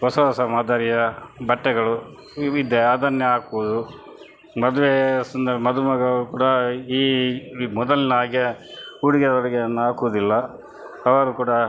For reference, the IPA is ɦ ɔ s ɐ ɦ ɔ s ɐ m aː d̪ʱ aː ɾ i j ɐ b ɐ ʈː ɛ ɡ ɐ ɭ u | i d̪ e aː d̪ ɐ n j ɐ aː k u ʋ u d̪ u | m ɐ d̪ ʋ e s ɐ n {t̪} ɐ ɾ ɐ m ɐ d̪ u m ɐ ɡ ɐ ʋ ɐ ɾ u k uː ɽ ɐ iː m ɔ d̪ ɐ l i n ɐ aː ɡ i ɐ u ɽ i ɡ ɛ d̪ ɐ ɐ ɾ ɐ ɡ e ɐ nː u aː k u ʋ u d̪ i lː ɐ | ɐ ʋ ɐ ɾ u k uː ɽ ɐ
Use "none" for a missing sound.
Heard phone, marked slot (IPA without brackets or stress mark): d̪